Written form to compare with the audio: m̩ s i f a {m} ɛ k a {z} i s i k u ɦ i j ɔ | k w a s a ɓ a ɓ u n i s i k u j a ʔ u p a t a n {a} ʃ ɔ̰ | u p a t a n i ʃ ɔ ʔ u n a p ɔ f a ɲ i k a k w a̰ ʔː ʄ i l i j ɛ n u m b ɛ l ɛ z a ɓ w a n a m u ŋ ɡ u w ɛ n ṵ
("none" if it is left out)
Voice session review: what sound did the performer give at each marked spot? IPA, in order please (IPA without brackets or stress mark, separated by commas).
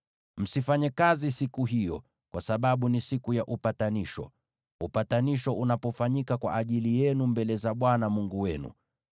ɲ, z, i